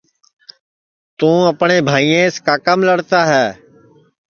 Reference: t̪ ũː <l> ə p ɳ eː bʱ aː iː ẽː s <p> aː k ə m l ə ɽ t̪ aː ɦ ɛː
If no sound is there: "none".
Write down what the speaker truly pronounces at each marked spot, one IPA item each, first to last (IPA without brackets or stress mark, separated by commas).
none, k